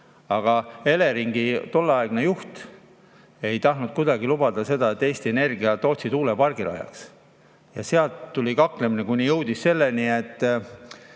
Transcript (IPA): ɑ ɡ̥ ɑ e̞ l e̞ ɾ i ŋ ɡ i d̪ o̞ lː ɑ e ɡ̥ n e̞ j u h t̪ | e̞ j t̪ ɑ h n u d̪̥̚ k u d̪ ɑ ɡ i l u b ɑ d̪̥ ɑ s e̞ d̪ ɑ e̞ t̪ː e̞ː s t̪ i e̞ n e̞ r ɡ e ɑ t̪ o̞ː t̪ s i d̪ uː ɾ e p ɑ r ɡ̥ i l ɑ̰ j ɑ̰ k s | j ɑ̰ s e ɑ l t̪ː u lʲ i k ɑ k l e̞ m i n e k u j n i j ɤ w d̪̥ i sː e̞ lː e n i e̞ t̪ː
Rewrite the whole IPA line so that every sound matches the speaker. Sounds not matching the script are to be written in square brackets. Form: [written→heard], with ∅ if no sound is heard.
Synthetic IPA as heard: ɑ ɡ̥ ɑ e̞ l e̞ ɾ i ŋ ɡ i [d̪→t̪] o̞ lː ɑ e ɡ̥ n e̞ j u h t̪ | e̞ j t̪ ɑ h n u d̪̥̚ k u d̪ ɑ ɡ i l u b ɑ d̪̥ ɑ s e̞ d̪ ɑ e̞ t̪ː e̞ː s t̪ i e̞ n e̞ r ɡ [e→i] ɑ t̪ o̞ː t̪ s i d̪ uː [ɾ→l] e p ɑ r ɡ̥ i l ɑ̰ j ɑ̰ k s | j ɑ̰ s e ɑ l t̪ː u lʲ i k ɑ k l e̞ m i n e k u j n i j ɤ w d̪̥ i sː e̞ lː e n i e̞ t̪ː